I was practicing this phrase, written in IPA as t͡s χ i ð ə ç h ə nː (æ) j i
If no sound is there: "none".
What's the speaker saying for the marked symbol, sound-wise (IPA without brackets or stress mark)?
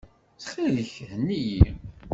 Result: i